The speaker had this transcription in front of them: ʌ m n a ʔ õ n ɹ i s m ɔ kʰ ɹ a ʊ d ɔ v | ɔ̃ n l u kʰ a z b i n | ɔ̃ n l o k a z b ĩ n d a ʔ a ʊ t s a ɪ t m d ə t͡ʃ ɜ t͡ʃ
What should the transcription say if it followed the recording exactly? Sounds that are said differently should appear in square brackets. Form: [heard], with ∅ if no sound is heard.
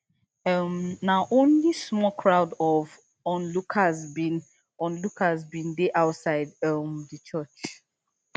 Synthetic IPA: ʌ m n a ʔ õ n [l] i s m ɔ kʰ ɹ a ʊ d ɔ v | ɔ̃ n l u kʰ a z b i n | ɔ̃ n l [u] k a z b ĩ n d [e] ʔ a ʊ t s a ɪ [d] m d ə t͡ʃ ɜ t͡ʃ